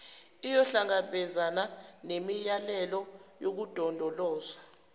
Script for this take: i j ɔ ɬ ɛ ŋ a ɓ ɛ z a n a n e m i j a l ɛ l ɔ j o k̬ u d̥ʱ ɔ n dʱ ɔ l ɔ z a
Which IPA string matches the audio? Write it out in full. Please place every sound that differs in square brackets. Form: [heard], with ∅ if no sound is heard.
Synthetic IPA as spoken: i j ɔ ɬ [a] ŋ a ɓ ɛ z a n a n e m i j a l ɛ l ɔ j o k̬ u d̥ʱ ɔ n dʱ ɔ l [ɔː] z a